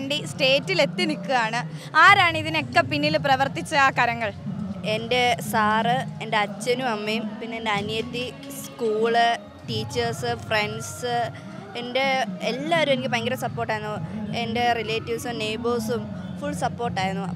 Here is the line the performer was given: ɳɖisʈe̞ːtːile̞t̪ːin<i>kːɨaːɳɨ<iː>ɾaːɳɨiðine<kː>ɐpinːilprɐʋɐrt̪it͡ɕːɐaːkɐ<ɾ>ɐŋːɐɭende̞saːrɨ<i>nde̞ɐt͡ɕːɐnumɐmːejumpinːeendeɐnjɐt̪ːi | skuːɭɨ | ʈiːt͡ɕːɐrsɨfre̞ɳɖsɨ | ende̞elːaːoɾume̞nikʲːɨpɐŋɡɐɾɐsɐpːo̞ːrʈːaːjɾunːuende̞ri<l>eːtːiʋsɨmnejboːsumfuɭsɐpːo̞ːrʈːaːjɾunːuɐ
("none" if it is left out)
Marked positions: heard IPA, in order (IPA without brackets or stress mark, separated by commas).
i, aː, kː, ɾ, e, l